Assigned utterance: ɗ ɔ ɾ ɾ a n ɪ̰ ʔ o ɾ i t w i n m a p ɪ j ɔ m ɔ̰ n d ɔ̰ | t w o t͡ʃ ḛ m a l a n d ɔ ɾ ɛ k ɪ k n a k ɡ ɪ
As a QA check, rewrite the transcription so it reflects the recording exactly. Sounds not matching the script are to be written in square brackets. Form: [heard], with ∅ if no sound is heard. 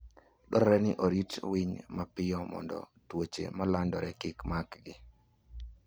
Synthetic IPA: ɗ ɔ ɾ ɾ [ɛ] n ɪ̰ ʔ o ɾ i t w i [ɲ] m a p ɪ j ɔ m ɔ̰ n d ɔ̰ | t w o t͡ʃ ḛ m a l a n d ɔ ɾ ɛ k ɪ k [m] a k ɡ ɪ